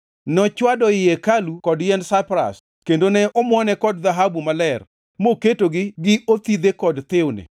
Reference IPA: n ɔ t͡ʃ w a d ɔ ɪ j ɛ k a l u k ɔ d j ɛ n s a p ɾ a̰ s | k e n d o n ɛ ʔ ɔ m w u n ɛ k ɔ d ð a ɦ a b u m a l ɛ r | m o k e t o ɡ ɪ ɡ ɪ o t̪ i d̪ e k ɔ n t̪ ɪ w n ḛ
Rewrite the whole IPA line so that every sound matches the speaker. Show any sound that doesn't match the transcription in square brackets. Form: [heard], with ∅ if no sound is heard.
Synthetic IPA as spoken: n ɔ t͡ʃ w a d ɔ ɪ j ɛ k a l u k ɔ d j ɛ n s a p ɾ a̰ s | k e n d o n ɛ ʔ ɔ m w [ɔ] n ɛ k ɔ d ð a ɦ a b u m a l ɛ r | m o k e t o ɡ ɪ ɡ ɪ o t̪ i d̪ e k ɔ [d] t̪ ɪ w n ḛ